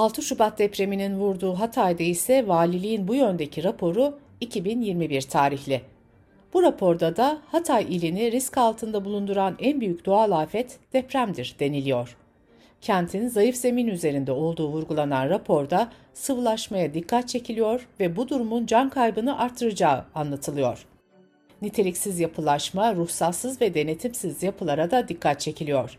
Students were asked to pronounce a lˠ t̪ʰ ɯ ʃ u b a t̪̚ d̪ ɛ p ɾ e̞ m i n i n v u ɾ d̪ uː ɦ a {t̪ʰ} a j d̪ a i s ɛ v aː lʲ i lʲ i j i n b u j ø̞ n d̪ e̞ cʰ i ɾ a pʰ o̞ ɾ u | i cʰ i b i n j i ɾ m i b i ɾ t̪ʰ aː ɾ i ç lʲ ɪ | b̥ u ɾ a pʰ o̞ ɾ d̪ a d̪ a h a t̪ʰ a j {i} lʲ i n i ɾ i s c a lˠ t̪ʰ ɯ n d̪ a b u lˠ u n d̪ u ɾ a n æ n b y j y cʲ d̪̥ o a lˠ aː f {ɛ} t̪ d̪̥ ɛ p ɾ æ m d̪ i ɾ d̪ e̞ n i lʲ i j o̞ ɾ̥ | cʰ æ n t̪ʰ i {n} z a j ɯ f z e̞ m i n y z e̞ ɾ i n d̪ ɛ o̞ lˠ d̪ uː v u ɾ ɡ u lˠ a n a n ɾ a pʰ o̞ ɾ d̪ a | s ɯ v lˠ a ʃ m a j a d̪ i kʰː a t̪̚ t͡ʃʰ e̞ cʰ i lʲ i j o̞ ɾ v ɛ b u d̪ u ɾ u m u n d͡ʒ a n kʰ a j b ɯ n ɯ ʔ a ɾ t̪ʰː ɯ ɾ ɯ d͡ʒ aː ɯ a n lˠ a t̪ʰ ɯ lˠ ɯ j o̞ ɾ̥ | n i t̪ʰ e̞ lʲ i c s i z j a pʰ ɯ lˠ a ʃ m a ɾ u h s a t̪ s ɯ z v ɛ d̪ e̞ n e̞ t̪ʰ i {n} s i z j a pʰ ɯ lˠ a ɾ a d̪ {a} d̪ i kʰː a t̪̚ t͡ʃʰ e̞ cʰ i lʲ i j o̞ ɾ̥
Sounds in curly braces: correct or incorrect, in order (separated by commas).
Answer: correct, correct, correct, correct, incorrect, correct